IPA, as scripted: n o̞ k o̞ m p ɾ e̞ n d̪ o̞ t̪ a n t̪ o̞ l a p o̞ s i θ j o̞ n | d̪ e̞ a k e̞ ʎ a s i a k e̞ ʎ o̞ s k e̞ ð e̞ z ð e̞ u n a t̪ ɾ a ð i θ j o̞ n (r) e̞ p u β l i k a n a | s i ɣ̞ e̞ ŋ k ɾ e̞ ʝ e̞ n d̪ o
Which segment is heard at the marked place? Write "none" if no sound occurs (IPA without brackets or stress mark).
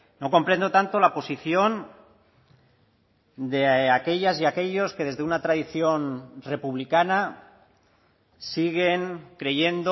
r